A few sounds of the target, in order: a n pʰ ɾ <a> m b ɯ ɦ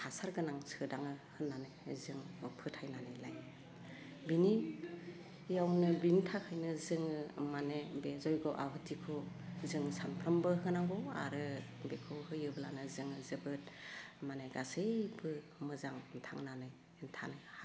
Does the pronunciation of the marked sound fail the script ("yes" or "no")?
no